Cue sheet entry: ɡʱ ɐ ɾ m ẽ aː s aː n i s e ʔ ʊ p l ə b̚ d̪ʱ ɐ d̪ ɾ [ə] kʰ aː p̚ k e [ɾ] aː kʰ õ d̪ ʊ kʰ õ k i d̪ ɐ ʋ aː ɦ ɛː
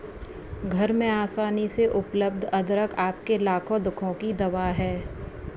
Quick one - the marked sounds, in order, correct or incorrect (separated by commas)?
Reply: correct, incorrect